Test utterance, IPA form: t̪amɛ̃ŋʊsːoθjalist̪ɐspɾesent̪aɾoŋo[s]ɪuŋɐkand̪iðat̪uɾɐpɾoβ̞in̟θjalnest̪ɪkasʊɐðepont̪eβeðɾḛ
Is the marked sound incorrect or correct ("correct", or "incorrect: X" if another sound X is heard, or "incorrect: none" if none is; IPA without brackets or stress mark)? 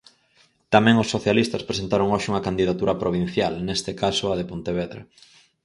incorrect: ʃ